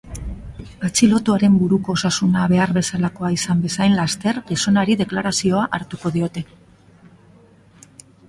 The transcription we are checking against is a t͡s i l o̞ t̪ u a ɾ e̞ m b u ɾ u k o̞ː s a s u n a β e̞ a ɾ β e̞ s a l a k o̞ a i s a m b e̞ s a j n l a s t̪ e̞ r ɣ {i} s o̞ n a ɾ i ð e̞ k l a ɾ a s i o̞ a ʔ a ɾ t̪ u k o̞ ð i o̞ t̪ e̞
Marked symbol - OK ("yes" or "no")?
yes